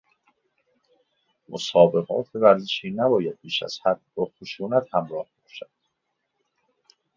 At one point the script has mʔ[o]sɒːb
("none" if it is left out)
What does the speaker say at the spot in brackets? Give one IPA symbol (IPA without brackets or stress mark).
o